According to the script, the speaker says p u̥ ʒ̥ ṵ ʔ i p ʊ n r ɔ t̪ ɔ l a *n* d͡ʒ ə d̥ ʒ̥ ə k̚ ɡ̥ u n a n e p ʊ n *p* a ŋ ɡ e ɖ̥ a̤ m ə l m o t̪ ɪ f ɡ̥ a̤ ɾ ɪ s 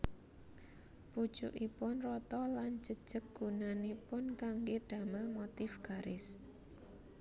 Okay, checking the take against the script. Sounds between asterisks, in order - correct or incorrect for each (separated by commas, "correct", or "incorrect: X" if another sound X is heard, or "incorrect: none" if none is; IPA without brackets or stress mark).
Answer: correct, incorrect: k